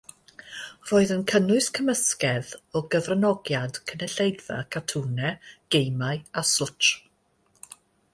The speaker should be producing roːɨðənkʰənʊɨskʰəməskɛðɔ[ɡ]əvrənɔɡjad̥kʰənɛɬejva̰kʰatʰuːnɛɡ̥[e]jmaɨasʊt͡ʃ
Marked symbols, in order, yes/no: yes, yes

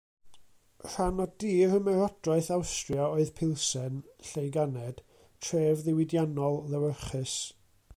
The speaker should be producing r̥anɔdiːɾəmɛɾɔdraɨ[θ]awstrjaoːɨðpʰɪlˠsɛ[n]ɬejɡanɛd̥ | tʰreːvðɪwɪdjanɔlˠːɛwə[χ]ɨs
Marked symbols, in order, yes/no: yes, yes, yes

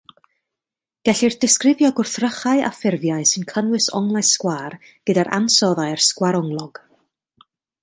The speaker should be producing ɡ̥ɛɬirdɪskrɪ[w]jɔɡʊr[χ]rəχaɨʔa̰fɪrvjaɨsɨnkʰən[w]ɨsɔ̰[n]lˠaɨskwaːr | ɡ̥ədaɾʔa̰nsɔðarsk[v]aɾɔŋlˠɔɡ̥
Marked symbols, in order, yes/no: no, no, yes, no, no

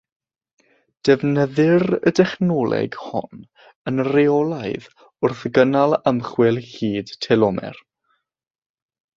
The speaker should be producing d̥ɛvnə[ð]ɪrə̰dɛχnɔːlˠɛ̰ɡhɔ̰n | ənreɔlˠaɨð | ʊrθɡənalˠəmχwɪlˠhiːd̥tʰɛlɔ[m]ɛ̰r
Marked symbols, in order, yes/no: yes, yes

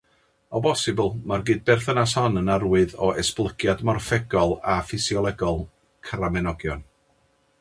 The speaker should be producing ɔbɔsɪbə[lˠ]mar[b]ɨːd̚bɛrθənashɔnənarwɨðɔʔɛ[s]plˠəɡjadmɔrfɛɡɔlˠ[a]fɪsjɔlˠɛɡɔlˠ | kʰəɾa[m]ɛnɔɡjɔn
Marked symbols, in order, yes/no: yes, no, yes, yes, yes

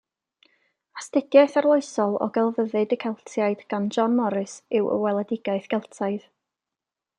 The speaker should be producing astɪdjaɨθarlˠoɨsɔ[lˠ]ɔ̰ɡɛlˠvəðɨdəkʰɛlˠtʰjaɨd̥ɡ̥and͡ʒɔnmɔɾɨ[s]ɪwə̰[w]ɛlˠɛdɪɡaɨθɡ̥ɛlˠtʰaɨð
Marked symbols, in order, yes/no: yes, yes, yes

